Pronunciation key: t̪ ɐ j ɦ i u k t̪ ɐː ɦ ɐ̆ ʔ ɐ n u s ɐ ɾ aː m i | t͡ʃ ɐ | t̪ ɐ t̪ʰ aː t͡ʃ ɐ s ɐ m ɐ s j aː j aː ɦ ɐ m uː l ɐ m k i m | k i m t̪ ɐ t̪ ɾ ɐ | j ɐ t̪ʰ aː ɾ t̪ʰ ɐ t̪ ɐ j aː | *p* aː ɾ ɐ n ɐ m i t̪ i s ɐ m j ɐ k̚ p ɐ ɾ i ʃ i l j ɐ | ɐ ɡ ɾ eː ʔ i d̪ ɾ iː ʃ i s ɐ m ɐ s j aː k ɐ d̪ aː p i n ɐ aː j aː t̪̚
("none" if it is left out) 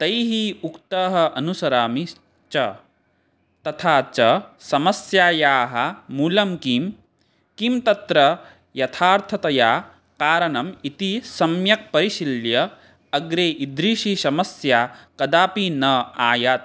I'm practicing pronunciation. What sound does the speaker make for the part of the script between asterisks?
k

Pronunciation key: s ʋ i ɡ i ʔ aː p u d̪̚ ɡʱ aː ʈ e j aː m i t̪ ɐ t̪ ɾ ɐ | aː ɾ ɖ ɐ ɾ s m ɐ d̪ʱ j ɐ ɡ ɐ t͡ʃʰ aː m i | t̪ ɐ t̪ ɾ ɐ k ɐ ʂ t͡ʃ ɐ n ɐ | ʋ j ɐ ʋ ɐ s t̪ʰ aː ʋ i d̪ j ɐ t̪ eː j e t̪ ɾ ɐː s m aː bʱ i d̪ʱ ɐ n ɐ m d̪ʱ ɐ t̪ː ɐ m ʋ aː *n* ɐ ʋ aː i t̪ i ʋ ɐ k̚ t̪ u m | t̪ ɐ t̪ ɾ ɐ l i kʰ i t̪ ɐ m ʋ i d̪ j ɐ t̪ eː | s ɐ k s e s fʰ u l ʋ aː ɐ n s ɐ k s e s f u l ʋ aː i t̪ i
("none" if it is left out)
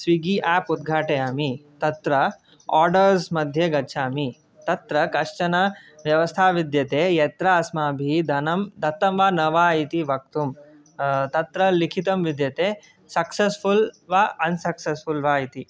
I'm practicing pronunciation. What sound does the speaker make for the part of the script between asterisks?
n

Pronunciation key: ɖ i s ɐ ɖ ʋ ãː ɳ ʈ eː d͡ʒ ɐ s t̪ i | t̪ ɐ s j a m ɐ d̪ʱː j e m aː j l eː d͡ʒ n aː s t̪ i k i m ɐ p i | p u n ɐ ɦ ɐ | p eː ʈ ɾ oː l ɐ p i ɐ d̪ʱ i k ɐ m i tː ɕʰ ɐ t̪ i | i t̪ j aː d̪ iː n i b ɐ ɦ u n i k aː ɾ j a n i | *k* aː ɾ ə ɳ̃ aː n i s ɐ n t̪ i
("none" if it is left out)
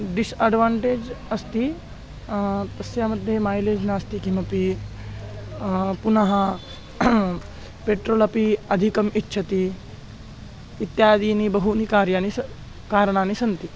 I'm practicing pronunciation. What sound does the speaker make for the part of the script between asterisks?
k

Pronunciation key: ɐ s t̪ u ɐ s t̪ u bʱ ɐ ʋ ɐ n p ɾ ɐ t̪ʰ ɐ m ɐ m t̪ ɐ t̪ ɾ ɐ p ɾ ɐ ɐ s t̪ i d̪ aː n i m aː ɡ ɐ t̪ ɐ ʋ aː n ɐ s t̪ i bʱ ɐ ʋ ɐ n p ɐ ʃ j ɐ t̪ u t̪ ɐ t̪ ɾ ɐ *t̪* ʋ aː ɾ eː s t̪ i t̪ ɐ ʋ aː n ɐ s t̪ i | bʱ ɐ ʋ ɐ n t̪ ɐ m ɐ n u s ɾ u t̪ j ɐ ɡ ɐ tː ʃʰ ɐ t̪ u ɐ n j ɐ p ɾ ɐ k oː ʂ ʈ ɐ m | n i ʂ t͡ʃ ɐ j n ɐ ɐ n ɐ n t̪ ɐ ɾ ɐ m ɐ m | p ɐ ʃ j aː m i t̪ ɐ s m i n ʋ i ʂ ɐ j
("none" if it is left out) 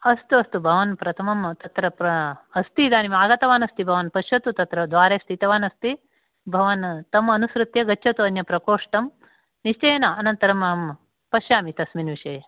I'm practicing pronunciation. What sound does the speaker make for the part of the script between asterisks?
d̪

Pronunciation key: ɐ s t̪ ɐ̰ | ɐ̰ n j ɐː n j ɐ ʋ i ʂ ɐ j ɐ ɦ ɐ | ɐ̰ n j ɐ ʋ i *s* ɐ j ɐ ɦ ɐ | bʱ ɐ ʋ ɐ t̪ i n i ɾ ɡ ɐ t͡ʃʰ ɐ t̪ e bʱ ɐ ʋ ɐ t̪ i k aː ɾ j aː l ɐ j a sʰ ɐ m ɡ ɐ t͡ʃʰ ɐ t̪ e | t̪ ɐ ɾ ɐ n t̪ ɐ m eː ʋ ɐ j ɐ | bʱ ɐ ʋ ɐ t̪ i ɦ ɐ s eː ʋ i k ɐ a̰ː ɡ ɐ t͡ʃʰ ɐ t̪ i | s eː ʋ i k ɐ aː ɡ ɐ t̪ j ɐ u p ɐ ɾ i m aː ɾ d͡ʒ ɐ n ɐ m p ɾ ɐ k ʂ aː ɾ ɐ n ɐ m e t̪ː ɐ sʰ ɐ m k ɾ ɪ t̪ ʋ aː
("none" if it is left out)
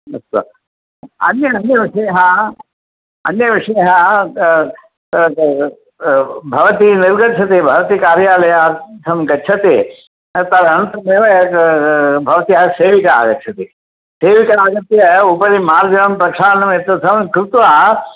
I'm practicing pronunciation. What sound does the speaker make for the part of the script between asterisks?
ʂ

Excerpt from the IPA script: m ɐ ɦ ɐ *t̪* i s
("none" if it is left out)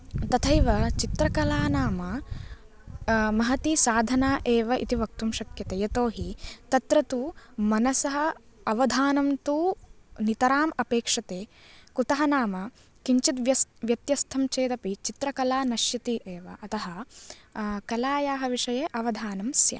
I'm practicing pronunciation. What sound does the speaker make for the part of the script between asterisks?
t̪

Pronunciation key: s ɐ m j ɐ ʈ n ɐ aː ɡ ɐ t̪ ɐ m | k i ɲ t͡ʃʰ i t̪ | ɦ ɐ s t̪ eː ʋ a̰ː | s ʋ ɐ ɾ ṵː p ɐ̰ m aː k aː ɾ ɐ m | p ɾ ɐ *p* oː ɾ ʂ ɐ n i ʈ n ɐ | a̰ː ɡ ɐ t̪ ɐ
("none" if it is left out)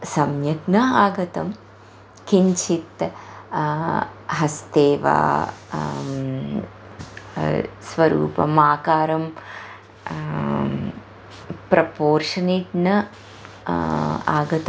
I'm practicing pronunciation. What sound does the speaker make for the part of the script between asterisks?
p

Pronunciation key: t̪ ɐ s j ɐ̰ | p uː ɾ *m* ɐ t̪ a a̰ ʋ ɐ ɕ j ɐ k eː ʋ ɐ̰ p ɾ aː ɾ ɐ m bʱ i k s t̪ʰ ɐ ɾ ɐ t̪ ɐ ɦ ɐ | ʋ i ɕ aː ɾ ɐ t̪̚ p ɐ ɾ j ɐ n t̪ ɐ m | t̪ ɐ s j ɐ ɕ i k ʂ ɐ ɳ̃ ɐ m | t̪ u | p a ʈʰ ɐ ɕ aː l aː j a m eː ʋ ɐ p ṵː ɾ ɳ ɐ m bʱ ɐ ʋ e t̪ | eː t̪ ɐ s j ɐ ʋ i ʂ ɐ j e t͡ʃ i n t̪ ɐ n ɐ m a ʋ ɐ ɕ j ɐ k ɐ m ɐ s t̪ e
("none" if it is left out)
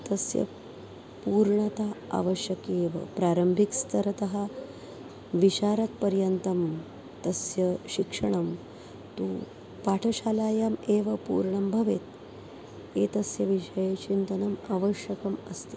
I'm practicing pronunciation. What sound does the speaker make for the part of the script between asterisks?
ɳ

